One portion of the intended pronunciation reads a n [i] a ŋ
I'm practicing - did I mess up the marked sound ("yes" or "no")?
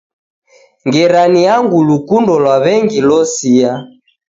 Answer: no